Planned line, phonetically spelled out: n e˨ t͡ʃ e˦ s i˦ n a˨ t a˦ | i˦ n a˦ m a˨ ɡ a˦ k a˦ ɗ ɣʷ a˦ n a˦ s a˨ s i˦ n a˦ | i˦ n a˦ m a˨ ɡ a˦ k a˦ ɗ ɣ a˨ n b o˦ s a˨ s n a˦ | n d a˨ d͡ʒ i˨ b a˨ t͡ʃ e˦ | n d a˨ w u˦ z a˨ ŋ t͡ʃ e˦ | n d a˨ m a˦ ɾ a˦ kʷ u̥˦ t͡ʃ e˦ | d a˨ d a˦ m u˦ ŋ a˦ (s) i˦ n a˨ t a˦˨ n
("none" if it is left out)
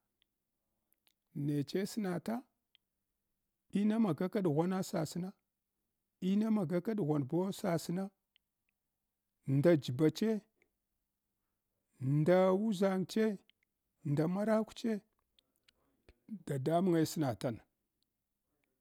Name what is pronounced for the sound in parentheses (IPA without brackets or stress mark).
s